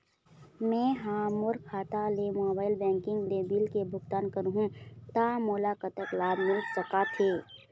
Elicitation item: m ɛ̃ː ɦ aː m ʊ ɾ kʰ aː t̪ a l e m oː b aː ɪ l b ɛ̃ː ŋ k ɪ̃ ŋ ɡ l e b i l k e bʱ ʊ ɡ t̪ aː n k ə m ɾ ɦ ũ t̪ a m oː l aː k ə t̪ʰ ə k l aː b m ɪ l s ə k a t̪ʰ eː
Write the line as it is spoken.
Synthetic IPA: m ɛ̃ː ɦ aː m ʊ ɾ kʰ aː t̪ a l e m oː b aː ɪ l b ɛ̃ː ŋ k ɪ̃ ŋ ɡ l e b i l k e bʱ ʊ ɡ t̪ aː n k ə ɾ ɦ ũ t̪ a m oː l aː k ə t̪ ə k l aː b m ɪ l s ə k a t̪ʰ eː